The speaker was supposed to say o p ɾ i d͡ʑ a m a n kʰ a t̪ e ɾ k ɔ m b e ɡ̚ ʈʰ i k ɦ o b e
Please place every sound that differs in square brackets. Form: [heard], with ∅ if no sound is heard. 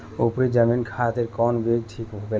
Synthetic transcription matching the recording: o p ɾ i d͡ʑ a m [i] n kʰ a t̪ e ɾ k ɔ [n] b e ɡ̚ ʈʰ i k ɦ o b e